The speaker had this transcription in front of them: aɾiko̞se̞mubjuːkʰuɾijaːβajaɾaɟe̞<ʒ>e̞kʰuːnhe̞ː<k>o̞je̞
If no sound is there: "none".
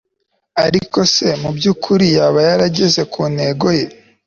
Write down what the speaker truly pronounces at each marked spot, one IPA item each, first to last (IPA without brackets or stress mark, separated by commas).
z, ɡ